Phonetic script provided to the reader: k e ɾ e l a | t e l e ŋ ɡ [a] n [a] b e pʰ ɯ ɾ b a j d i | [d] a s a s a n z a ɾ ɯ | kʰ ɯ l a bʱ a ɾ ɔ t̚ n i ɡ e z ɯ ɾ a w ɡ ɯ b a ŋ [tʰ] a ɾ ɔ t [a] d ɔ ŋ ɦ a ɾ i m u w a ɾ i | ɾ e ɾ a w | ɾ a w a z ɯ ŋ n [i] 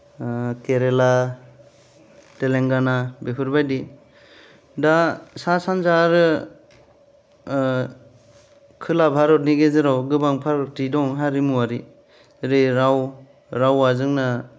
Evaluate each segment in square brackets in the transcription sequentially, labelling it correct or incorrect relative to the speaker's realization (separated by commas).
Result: correct, correct, correct, incorrect, incorrect, incorrect